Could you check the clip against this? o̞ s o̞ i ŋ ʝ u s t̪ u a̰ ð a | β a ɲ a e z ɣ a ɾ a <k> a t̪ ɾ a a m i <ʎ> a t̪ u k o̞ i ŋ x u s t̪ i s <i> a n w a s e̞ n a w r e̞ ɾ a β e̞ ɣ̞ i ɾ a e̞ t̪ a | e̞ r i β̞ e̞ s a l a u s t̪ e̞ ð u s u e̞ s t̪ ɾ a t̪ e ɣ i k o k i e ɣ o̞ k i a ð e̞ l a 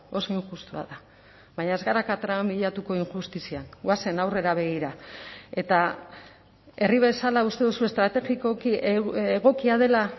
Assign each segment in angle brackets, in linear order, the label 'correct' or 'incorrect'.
correct, correct, correct

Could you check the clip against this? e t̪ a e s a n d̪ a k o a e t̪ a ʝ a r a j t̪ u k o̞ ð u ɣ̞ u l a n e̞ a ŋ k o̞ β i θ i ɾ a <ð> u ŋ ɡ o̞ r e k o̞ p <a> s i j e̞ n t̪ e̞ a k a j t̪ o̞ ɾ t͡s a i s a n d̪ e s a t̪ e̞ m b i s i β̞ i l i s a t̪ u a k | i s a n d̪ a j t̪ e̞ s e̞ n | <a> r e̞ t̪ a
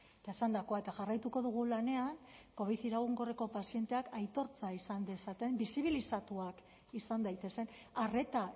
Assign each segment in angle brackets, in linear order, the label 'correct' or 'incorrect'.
incorrect, correct, correct

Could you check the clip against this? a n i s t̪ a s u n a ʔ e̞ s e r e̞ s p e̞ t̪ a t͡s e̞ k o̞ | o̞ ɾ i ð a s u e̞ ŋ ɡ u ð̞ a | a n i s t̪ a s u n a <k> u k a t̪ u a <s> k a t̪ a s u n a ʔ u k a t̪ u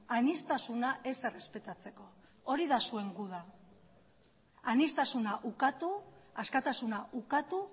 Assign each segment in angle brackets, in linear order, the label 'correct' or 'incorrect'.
incorrect, correct

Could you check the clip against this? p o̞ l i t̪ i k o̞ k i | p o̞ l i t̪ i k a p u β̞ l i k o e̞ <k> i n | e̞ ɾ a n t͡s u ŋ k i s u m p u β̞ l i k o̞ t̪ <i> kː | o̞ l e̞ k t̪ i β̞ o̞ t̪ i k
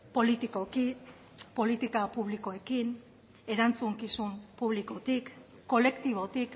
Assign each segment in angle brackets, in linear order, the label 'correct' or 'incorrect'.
correct, correct

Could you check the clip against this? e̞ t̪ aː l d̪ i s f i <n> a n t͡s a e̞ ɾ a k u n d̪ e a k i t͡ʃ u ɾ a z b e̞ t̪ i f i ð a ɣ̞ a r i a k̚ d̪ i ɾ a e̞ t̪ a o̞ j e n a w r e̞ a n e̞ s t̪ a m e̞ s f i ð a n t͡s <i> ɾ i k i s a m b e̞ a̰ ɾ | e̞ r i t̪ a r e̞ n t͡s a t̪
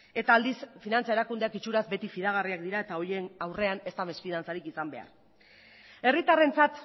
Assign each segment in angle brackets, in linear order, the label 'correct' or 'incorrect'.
correct, incorrect

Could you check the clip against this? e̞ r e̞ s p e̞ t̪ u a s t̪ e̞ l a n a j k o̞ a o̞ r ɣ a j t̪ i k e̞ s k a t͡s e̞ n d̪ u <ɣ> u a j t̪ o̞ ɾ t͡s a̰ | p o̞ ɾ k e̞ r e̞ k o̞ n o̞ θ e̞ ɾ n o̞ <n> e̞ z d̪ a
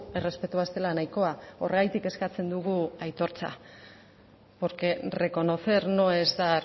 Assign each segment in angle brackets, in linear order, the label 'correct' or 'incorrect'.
correct, incorrect

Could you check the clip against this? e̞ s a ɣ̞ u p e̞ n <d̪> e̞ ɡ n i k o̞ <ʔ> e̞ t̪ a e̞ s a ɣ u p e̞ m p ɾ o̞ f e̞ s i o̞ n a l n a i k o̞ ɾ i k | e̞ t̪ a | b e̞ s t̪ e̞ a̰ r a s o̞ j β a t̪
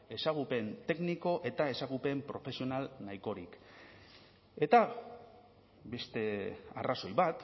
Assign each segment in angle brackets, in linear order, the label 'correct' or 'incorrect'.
incorrect, correct

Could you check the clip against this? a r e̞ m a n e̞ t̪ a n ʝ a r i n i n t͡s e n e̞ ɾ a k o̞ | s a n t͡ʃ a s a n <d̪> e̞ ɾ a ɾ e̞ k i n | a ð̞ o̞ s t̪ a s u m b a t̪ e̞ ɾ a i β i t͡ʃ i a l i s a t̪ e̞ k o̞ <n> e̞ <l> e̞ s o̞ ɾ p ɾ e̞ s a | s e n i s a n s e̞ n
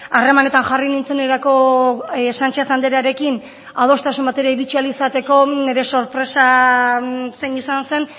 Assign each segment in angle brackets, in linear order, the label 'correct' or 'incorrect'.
correct, correct, incorrect

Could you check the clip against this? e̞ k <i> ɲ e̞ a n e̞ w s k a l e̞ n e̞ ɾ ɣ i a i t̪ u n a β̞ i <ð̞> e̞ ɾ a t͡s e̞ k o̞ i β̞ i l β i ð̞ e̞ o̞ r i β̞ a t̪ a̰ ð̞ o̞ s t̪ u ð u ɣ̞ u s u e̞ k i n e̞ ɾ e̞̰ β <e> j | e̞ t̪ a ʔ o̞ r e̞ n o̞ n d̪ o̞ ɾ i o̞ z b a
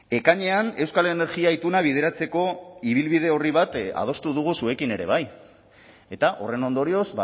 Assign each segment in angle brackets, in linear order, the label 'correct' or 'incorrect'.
incorrect, correct, incorrect

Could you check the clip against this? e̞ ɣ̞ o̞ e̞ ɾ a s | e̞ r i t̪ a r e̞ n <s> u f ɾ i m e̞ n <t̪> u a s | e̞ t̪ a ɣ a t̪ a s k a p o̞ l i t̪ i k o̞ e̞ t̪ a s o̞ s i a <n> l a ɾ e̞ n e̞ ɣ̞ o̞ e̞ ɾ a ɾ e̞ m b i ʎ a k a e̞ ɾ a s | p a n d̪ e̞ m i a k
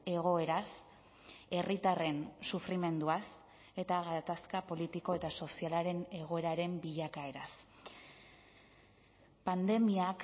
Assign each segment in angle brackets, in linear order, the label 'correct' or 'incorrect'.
correct, incorrect, incorrect

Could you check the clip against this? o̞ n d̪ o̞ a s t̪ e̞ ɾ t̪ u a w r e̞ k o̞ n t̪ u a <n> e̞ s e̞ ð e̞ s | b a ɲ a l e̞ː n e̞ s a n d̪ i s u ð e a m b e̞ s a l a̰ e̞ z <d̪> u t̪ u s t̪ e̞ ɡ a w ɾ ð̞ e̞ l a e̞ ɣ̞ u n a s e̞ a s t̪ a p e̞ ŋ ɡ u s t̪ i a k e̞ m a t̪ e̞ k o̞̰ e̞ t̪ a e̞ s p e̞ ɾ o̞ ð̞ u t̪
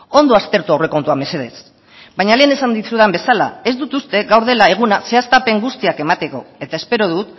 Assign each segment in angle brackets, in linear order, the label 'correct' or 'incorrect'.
incorrect, correct

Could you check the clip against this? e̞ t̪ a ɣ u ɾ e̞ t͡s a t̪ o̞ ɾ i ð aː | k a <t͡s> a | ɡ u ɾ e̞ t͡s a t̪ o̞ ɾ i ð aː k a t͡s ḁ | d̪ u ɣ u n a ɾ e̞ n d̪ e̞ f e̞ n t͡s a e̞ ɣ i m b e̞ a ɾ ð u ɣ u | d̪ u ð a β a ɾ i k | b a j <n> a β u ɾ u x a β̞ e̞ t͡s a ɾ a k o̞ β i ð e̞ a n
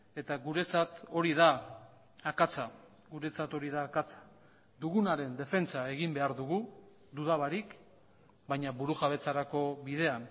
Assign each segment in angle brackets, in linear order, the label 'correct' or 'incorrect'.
correct, incorrect

